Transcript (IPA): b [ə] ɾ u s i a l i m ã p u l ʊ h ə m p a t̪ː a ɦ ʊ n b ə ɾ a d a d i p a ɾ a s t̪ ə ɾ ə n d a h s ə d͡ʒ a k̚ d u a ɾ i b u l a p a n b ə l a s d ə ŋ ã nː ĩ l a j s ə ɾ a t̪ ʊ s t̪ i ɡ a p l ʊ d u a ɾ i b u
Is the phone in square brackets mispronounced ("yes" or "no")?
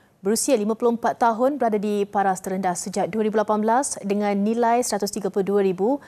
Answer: no